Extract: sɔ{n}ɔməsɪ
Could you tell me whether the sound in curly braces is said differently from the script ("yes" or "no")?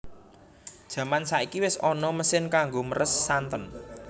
no